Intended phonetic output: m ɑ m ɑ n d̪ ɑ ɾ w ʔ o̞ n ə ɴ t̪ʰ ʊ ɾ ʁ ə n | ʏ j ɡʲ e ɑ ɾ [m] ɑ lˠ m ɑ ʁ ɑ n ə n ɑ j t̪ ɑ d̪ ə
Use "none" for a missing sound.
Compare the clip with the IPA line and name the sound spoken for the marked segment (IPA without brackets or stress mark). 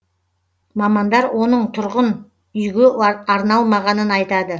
n